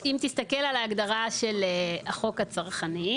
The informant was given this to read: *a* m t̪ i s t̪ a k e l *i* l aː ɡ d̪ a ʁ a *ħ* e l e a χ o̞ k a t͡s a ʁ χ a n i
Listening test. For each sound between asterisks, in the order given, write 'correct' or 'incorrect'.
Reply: incorrect: i, incorrect: a, incorrect: ʃ

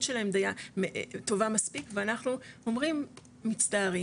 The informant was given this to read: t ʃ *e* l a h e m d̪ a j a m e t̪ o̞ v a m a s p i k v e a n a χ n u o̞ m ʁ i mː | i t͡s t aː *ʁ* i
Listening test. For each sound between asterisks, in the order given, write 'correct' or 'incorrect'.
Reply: correct, correct

